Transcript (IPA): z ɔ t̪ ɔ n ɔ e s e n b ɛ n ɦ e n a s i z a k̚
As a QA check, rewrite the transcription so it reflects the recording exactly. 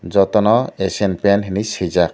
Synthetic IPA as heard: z ɔ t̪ ɔ n ɔ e s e n p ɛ n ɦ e n i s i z a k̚

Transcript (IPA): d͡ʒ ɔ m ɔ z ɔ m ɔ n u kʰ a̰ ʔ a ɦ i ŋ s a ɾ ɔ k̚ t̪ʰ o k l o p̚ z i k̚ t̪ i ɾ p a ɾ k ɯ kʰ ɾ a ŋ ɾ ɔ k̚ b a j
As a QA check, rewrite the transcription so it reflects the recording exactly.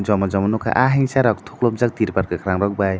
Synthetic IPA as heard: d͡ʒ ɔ m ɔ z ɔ m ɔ n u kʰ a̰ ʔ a ɦ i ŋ s a ɾ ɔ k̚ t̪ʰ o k l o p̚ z a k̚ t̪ i ɾ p a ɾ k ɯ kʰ ɾ a ŋ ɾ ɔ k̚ b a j

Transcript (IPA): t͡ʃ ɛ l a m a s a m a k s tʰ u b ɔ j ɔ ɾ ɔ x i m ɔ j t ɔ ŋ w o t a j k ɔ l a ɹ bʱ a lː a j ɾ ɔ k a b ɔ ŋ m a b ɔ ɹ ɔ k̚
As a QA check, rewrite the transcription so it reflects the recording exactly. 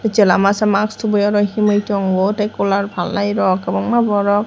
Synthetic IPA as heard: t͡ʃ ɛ l a m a s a m a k s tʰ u b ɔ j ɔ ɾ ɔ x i m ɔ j t ɔ ŋ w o t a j k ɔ l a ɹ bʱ a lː a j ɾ ɔ k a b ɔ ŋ m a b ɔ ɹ ɔ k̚

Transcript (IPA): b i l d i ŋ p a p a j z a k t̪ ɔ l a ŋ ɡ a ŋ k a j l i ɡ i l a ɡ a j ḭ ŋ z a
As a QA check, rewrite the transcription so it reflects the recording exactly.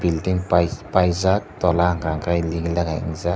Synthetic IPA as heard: b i l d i ŋ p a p a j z a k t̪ ɔ l a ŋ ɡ a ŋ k a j l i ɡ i l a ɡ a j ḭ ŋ z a

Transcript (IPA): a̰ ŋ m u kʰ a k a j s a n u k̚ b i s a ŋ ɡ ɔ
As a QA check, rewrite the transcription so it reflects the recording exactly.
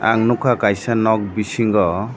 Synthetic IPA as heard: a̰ ŋ n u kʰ a k a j s a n ɔ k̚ b i s i ŋ ɡ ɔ

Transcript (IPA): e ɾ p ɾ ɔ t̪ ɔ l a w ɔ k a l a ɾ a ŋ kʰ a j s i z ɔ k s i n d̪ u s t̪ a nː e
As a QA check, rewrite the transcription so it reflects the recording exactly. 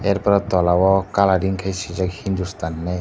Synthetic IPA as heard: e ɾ p ɾ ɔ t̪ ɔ l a w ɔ k a l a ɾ i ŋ kʰ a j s i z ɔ k h i n d̪ u s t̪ a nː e

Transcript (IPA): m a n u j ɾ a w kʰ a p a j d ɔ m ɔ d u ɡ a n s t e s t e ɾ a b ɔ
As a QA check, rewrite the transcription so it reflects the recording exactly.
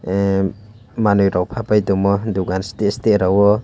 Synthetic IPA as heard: m a n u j ɾ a w pʰ a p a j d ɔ m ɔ d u ɡ a n s t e s t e ɾ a w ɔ

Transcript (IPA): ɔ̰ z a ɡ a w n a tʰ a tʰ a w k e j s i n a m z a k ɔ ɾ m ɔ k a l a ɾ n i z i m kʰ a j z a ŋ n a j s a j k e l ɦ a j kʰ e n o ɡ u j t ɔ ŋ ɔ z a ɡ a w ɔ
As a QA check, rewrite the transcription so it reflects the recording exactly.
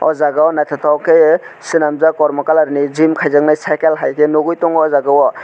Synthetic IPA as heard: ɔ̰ z a ɡ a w n a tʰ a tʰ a w k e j s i n a m z a k ɔ ɾ m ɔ k a l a ɾ n i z i m kʰ a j z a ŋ n a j s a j k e l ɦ a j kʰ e n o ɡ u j t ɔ ŋ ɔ z a ɡ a w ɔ

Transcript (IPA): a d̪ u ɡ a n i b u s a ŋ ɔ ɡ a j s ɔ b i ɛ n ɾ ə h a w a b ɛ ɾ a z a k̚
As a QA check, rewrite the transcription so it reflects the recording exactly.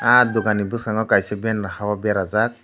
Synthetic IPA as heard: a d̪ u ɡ a n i b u s a ŋ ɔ k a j s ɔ b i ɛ n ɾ a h a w a b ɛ ɾ a z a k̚

